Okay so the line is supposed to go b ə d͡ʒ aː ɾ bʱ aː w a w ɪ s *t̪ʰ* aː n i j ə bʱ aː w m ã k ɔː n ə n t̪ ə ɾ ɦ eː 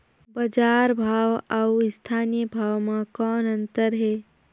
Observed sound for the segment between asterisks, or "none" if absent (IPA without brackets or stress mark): t̪ʰ